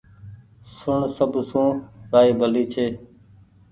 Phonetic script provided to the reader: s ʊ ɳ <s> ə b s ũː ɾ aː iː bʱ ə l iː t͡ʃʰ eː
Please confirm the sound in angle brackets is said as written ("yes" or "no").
yes